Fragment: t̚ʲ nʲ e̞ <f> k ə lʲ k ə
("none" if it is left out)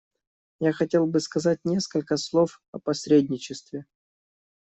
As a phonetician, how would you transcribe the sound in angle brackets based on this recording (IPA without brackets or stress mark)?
s